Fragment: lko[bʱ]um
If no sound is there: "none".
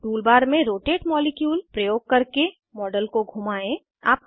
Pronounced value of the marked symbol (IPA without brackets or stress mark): ɡʱ